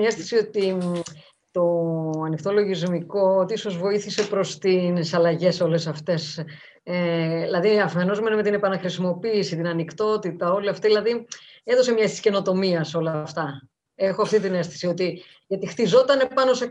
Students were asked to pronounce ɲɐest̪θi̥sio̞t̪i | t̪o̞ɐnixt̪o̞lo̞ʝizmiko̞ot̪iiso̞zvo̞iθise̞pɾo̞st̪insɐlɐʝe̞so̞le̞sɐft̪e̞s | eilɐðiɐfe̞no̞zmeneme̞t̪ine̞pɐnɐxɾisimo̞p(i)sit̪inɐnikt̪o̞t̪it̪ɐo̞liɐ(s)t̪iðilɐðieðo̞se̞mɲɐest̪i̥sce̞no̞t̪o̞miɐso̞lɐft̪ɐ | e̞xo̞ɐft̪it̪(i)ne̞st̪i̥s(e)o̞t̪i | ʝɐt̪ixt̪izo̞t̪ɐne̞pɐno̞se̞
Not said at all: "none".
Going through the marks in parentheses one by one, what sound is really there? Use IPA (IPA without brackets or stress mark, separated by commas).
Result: iː, f, i, i